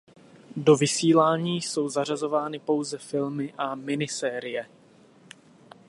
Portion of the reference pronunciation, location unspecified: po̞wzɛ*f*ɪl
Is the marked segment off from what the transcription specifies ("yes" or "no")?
no